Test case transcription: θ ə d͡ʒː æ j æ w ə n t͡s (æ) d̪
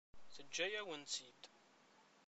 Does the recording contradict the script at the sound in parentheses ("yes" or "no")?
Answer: yes